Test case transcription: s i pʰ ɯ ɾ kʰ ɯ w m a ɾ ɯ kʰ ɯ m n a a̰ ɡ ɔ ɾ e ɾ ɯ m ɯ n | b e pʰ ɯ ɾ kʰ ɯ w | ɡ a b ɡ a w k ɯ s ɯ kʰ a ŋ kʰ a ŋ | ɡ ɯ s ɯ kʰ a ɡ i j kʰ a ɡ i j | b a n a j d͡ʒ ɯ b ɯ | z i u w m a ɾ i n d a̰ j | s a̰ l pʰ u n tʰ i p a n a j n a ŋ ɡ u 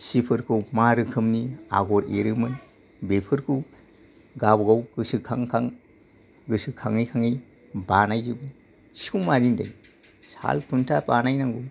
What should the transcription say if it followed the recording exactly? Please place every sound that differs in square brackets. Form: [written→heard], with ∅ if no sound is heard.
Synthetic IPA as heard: s i pʰ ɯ ɾ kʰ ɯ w m a ɾ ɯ kʰ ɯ m n [a→i] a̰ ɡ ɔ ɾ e ɾ ɯ m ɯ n | b e pʰ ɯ ɾ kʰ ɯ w | ɡ a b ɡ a w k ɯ s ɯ kʰ a ŋ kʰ a ŋ | ɡ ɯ s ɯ kʰ a [ɡ→ŋ] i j kʰ a [ɡ→ŋ] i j | b a n a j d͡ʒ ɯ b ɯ | [z→s] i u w m a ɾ i n d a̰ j | s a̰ l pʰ u n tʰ [i→a] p a n a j n a ŋ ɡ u